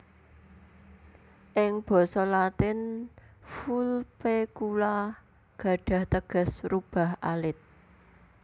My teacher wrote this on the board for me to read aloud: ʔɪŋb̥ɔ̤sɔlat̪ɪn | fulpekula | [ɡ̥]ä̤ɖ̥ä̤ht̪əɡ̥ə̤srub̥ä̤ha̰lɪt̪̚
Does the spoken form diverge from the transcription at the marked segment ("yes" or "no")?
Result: no